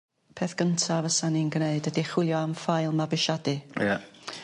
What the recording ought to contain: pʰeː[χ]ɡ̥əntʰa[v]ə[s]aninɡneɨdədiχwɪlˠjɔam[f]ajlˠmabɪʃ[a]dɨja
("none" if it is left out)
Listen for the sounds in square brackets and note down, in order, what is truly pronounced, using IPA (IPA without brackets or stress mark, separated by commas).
θ, v, s, f, a